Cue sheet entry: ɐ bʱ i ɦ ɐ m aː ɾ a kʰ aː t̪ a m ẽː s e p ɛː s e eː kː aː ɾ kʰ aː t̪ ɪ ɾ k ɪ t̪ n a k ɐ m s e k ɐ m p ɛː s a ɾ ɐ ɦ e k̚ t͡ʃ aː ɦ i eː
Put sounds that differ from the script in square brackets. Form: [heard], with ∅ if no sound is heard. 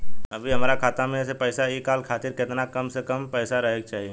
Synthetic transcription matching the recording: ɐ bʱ i ɦ ɐ m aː ɾ a kʰ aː t̪ a m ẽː s e p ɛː s [a] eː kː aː [l] kʰ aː t̪ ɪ ɾ k ɪ t̪ n a k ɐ m s e k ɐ m p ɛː s a ɾ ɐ ɦ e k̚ t͡ʃ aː ɦ i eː